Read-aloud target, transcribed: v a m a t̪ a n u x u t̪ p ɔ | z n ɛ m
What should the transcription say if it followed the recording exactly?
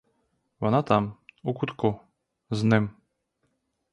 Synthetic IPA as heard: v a n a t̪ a m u k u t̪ k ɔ | z n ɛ m